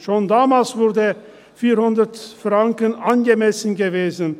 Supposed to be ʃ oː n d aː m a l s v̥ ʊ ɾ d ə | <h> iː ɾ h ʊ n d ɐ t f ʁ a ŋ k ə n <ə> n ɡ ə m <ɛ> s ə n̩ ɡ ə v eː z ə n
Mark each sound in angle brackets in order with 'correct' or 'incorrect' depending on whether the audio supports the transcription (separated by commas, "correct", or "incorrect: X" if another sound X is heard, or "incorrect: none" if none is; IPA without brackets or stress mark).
incorrect: f, incorrect: a, correct